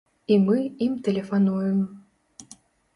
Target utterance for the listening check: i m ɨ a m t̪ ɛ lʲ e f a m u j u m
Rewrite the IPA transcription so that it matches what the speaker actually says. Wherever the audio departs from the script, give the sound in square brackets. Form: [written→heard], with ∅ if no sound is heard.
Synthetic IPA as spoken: i m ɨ [a→i] m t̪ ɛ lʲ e f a [m→n] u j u m

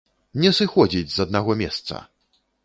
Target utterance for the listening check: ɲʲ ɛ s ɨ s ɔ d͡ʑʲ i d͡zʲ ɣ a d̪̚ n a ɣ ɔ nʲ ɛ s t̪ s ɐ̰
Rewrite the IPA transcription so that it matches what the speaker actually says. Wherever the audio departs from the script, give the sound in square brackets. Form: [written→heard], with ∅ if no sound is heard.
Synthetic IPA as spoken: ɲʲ ɛ s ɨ [s→x] ɔ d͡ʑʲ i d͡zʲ [ɣ→z] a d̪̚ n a ɣ ɔ [nʲ→mʲ] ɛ s t̪ s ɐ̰

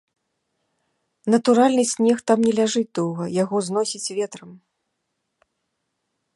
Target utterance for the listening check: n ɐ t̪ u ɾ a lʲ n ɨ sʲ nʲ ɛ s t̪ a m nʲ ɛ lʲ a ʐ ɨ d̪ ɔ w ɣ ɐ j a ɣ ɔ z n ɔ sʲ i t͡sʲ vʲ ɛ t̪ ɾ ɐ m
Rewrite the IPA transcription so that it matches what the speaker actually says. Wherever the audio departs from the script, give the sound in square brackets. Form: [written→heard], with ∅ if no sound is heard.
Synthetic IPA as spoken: n ɐ t̪ u ɾ a lʲ n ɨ sʲ nʲ ɛ [s→x] t̪ a m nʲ ɛ lʲ a ʐ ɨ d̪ ɔ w ɣ ɐ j a ɣ ɔ z n ɔ sʲ i t͡sʲ vʲ ɛ t̪ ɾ ɐ m

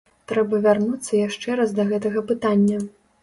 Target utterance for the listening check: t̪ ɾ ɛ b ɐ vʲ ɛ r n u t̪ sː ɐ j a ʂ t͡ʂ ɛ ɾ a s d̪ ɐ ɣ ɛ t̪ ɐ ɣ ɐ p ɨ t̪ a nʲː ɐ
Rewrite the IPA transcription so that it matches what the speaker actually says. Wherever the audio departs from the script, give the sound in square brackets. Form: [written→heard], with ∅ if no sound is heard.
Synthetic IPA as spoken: t̪ ɾ ɛ b ɐ vʲ [ɛ→a] r n u t̪ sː ɐ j a ʂ t͡ʂ ɛ ɾ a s d̪ ɐ ɣ ɛ t̪ ɐ ɣ ɐ p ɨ t̪ a nʲː ɐ

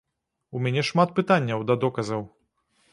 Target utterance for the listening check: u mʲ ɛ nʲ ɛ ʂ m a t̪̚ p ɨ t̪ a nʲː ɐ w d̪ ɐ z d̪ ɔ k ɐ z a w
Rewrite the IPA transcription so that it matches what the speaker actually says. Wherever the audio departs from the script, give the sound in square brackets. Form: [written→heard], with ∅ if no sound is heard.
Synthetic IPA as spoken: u mʲ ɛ nʲ ɛ ʂ m a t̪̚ p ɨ t̪ a nʲː ɐ w d̪ ɐ [z→∅] d̪ ɔ k ɐ z [a→ɐ] w

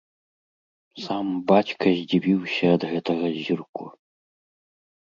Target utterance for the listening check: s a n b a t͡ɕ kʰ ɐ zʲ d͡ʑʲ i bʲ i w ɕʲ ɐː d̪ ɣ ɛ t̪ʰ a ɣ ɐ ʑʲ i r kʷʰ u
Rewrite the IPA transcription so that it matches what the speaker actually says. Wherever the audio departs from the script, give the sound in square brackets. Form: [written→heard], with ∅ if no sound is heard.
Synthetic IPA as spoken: s a [n→m] b a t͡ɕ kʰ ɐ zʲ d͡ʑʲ i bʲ i w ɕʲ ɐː d̪ ɣ ɛ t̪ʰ [a→ɐ] ɣ ɐ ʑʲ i r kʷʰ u

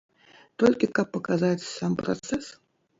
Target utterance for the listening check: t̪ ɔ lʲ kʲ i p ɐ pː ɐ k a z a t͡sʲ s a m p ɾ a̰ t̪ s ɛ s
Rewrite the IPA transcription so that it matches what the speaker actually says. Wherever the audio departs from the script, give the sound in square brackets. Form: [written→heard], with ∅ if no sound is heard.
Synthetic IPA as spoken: t̪ ɔ lʲ kʲ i [p→k] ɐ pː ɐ k a z a t͡sʲ s a m p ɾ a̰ t̪ s ɛ s

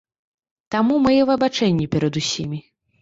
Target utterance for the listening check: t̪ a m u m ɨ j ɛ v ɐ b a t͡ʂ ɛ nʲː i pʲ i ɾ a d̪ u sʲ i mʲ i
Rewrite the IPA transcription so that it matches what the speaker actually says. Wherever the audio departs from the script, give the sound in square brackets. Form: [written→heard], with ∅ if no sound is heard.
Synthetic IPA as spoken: t̪ a m u m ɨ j ɛ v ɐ b a t͡ʂ ɛ nʲː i pʲ [i→ɛ] ɾ [a→ɐ] d̪ u sʲ i mʲ i

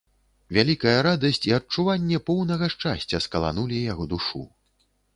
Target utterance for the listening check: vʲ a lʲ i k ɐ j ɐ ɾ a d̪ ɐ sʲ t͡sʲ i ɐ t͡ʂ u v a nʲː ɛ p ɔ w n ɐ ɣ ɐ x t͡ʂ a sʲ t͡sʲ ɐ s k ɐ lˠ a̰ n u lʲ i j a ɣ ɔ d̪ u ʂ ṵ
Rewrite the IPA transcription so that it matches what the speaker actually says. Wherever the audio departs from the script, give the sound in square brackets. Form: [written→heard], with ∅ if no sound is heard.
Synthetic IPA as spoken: vʲ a lʲ i k ɐ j ɐ ɾ a d̪ ɐ sʲ t͡sʲ i ɐ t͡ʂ u v a nʲː ɛ p ɔ w n ɐ ɣ ɐ [x→ʂ] t͡ʂ a sʲ t͡sʲ ɐ s k ɐ lˠ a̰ n u lʲ i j a ɣ ɔ d̪ u ʂ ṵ

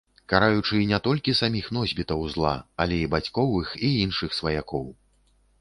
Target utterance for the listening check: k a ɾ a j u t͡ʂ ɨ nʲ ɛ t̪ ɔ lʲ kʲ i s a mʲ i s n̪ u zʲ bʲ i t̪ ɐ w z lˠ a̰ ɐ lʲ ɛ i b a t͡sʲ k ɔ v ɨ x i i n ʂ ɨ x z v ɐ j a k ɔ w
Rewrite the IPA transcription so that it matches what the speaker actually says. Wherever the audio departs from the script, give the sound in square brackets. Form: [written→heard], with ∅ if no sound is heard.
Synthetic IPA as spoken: k a ɾ a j u t͡ʂ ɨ nʲ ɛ t̪ ɔ lʲ kʲ i s a mʲ i [s→x] n̪ [u→ɔ] zʲ bʲ i t̪ ɐ w z lˠ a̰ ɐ lʲ ɛ i b a t͡sʲ k ɔ v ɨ x i i n ʂ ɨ x [z→s] v ɐ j a k ɔ w

